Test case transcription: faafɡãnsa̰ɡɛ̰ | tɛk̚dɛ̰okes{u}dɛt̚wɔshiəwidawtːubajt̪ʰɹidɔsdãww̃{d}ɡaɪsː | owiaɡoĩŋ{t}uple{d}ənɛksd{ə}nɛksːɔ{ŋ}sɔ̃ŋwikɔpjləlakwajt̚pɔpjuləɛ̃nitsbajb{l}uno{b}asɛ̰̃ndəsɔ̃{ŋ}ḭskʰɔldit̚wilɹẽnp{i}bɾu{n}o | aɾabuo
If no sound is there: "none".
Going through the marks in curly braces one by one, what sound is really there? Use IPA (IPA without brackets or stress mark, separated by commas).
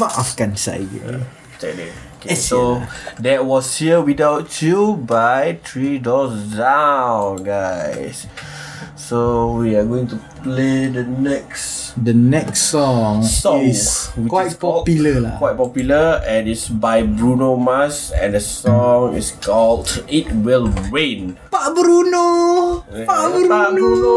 o, n, t, d, ə, ŋ, ɹ, m, ŋ, a, n